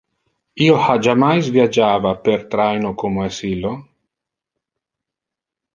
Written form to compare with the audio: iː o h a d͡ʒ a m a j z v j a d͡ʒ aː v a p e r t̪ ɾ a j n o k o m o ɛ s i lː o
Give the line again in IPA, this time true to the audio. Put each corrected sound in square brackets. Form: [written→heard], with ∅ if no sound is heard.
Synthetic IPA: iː o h a d͡ʒ a m a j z v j a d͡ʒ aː v a p e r t̪ ɾ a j n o k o m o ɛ s i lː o